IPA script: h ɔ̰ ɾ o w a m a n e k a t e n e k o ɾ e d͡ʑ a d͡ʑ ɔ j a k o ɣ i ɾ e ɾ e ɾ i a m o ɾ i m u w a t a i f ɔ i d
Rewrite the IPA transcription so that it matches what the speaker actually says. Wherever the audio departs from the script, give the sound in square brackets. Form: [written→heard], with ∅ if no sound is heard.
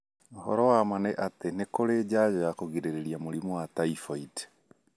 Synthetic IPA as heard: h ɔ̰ ɾ [o→ɔ] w a m a n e [k→ʔ] a t e n e k o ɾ e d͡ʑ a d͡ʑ ɔ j a k o ɣ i ɾ e ɾ e ɾ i a m o ɾ i m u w a t a i f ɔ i d